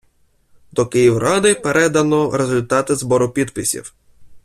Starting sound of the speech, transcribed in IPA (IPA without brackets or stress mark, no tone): d̪